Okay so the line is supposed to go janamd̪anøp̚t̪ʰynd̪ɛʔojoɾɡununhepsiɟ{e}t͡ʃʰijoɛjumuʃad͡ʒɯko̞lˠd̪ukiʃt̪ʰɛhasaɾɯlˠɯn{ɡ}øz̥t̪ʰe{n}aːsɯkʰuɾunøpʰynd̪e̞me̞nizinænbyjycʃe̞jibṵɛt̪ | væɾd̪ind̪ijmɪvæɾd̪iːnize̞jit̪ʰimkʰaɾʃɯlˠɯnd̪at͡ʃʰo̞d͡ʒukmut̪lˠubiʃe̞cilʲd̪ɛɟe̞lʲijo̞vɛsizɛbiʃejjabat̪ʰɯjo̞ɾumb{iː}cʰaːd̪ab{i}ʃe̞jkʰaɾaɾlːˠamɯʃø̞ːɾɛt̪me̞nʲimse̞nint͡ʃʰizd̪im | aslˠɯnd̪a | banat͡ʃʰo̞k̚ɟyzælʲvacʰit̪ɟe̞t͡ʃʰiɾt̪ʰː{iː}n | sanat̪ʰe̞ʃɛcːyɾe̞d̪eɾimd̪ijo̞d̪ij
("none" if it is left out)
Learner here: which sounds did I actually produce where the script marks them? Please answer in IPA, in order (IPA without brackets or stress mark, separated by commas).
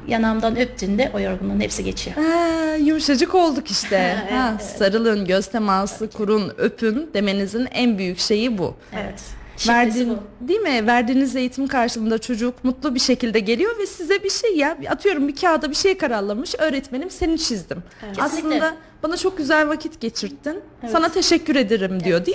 e, ɟ, m, i, i, i